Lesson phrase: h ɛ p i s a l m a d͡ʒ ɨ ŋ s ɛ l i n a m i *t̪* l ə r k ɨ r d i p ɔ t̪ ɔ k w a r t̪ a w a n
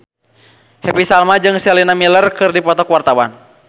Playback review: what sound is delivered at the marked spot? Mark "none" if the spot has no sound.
none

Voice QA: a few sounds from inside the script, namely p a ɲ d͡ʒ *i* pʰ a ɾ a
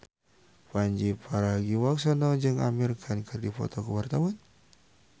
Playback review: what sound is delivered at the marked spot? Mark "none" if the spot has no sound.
i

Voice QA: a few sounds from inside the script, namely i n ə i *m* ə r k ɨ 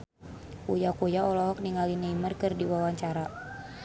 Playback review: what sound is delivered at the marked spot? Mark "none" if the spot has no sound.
m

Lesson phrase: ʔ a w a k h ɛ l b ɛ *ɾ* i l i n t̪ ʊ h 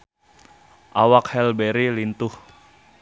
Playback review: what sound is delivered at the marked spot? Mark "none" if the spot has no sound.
ɾ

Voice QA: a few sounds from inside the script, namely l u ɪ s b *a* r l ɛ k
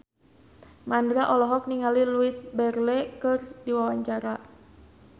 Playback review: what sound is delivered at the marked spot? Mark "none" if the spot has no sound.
ɛ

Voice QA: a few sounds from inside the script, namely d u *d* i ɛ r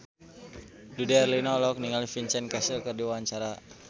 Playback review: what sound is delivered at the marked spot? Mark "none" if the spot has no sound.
d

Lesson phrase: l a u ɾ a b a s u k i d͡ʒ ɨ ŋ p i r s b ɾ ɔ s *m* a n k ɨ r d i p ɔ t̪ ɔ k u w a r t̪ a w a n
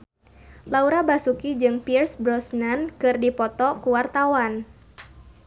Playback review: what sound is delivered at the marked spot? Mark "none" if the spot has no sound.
n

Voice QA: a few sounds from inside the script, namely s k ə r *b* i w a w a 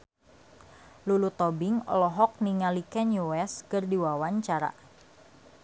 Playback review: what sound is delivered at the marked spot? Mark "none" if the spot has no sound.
d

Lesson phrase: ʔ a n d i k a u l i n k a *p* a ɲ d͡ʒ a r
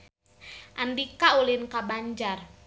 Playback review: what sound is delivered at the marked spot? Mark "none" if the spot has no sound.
b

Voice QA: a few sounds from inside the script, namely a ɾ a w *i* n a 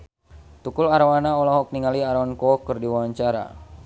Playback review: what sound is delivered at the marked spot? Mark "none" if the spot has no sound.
a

